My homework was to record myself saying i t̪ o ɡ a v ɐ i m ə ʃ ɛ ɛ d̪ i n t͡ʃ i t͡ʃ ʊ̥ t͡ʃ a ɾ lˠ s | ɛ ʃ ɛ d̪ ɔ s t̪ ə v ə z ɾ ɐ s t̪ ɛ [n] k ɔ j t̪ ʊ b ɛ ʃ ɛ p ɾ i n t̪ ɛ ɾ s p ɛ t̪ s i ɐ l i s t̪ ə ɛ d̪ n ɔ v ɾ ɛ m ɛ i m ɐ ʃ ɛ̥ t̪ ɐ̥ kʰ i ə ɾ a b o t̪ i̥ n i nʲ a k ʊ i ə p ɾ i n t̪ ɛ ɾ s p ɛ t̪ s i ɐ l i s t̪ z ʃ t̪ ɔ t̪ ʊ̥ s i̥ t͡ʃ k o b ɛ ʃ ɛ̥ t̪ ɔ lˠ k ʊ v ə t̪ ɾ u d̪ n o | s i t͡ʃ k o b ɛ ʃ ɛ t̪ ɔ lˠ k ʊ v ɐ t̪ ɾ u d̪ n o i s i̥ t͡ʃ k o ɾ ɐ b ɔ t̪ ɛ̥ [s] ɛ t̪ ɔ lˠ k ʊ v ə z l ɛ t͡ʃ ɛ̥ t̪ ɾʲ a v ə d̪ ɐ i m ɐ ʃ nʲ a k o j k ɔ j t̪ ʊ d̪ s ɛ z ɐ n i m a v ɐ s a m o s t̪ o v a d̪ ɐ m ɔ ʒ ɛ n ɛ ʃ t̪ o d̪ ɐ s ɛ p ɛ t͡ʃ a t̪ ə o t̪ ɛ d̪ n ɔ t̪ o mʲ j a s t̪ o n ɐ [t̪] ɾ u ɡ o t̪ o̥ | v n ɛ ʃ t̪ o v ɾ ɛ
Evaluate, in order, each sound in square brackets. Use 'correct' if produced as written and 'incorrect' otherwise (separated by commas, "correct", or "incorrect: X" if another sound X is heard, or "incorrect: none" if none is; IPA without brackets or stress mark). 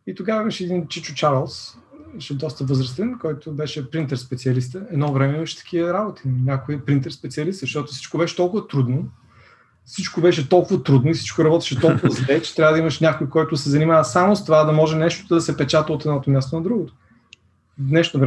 correct, incorrect: ʃ, incorrect: d̪